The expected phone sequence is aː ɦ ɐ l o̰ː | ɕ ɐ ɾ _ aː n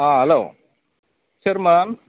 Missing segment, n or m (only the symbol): m